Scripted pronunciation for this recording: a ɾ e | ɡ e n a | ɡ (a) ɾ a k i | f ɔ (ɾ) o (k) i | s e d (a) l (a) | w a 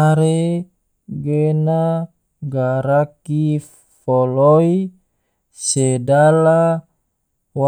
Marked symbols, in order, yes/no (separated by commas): yes, no, no, yes, yes